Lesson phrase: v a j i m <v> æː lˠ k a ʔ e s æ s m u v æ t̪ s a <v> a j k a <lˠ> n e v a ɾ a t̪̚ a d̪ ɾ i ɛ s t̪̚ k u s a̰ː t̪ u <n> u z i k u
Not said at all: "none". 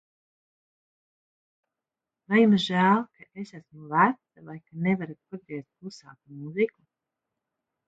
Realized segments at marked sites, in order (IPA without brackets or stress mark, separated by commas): ʒ, v, none, m